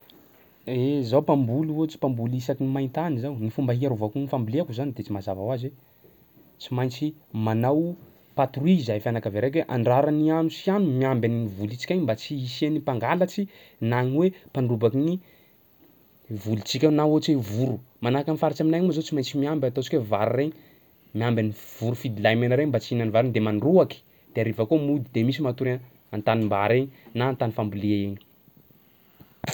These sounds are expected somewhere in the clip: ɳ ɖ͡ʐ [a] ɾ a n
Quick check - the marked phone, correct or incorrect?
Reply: correct